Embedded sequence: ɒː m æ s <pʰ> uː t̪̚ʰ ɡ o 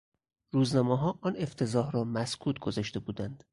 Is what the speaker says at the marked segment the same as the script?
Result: no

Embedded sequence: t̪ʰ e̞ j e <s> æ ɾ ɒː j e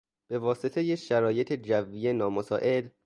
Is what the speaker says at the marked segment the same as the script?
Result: no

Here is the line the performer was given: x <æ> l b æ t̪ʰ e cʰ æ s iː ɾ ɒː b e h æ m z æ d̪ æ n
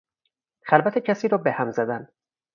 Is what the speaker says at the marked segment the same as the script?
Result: yes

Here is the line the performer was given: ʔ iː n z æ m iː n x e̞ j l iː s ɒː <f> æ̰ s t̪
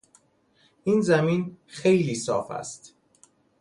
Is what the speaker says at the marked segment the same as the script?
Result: yes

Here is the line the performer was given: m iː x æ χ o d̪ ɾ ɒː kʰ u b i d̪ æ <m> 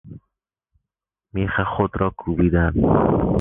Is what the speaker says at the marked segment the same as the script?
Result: no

